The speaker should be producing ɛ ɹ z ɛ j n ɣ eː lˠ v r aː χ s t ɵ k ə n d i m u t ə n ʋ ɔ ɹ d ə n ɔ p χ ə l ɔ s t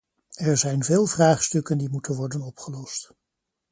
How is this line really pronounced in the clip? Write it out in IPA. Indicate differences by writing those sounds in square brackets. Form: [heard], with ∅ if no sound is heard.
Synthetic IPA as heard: ɛ ɹ z ɛ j n [v] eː lˠ v r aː χ s t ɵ k ə n d i m u t ə n ʋ ɔ ɹ d ə n ɔ p χ ə l ɔ s t

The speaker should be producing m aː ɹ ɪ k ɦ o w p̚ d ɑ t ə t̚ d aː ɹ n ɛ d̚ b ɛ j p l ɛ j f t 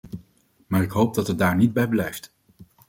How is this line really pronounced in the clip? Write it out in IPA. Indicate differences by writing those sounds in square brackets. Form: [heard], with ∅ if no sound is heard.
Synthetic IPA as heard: m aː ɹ ɪ k ɦ o w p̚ d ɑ t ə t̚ d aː ɹ n [i] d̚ b ɛ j [b] l ɛ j f t

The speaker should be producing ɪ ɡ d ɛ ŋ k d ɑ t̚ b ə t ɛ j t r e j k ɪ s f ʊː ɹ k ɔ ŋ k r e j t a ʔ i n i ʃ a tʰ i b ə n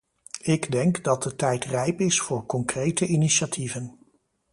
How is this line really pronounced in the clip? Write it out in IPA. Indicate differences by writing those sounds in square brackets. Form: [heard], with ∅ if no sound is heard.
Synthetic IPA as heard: ɪ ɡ d ɛ ŋ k d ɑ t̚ [d] ə t ɛ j t r [ɛ] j [p] ɪ s f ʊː ɹ k ɔ ŋ k r e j t [ə] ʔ i n i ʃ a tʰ i [v] ə n

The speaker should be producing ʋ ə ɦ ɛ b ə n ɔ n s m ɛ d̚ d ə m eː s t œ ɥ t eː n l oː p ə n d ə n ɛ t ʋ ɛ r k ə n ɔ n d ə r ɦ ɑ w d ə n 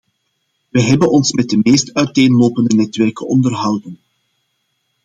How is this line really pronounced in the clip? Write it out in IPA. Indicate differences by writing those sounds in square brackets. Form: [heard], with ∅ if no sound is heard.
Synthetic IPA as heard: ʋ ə ɦ ɛ b ə n ɔ n s m ɛ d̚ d ə m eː s t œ ɥ t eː n l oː p ə n d ə n ɛ t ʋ ɛ r k ə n ɔ n d ə r ɦ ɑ w d ə n

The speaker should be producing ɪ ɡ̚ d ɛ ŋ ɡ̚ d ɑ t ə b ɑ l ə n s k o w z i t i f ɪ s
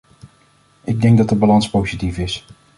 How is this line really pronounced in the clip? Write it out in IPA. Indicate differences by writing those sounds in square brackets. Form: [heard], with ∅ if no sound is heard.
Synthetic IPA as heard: ɪ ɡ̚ d ɛ ŋ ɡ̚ d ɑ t ə b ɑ l [ɑ] n s [p] o w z i t i f ɪ s

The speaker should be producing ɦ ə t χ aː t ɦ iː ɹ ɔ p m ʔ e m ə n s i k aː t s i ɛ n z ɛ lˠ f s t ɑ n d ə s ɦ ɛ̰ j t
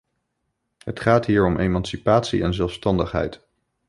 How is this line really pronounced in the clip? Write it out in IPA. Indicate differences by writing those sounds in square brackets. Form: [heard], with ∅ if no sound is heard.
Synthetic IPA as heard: ɦ ə t χ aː t ɦ iː ɹ ɔ [∅] m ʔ e m [ɑ] n s i [p] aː t s i ɛ n z ɛ lˠ f s t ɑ n d ə [χ] ɦ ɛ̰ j t

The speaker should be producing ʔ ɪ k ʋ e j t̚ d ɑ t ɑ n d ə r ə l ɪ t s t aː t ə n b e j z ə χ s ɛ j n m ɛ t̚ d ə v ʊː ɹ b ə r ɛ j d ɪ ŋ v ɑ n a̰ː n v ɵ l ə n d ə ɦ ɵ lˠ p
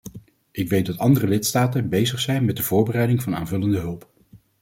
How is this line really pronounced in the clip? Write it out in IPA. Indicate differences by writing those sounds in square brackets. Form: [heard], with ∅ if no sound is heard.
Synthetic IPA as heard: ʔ ɪ k ʋ e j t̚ d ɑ t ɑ n d ə r ə l ɪ t s t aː t ə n b e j z ə χ s ɛ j n m ɛ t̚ d ə v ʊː ɹ b ə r ɛ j d ɪ ŋ v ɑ n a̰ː n v ɵ l ə n d ə ɦ ɵ lˠ p

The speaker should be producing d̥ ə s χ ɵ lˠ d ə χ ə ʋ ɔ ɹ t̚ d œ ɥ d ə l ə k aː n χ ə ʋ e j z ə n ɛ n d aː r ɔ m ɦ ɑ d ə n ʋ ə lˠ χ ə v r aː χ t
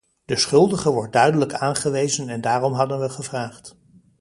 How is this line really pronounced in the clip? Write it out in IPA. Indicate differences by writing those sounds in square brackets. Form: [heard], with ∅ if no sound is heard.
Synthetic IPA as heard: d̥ ə s χ ɵ lˠ d ə χ ə ʋ ɔ ɹ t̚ d œ ɥ d ə l ə k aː n χ ə ʋ e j z ə n ɛ n d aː r ɔ m ɦ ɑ d ə n ʋ ə [∅] χ ə v r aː χ t

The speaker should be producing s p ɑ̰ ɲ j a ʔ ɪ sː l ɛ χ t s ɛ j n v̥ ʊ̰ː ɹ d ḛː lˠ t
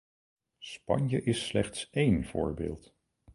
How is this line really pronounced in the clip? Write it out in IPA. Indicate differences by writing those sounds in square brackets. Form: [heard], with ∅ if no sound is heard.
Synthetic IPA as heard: s p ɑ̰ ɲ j [ə] ʔ ɪ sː l ɛ χ t s [e] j n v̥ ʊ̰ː ɹ [b] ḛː lˠ t

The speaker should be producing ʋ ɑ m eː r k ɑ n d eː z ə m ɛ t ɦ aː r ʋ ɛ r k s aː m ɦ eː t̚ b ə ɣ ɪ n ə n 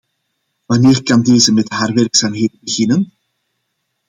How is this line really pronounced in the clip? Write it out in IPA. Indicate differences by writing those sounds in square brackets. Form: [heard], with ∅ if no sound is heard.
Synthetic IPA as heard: ʋ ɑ [n] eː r k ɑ n d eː z ə m ɛ t ɦ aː r ʋ ɛ r k s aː m ɦ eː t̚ b ə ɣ ɪ n ə n

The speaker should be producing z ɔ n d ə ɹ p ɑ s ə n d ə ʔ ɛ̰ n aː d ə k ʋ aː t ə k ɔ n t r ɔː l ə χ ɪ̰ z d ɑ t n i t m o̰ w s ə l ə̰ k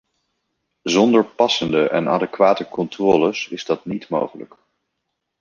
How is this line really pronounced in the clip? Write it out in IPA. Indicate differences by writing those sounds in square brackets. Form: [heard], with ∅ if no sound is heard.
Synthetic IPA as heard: z ɔ n d ə ɹ p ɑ s ə n d ə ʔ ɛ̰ n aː d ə k ʋ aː t ə k ɔ n t r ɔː l ə [s] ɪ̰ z d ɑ t n i t m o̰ w [χ] ə l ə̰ k

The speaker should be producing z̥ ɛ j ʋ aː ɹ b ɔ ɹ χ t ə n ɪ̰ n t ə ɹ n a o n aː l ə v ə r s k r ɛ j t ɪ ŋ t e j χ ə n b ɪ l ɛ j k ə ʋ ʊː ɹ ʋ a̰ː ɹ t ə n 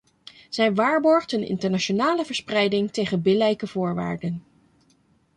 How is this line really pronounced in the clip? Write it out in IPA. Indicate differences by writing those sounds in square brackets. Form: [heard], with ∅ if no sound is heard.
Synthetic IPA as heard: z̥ ɛ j ʋ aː ɹ b ɔ ɹ χ t ə n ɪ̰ n t ə ɹ n a o n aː l ə v ə [ɹ] s [p] r ɛ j [d] ɪ ŋ t e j χ ə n b ɪ l ɛ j k ə [v] ʊː ɹ ʋ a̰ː ɹ [d] ə n

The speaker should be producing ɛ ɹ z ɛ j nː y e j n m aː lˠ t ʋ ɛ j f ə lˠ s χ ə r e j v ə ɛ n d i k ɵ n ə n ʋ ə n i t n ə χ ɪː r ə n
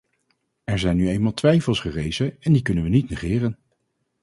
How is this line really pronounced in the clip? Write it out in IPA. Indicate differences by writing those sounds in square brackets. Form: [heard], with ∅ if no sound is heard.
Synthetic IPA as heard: ɛ ɹ z ɛ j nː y e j n m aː lˠ t ʋ ɛ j f ə lˠ s χ ə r e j [z] ə ɛ n d i k ɵ n ə n ʋ ə n i t n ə χ ɪː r ə n

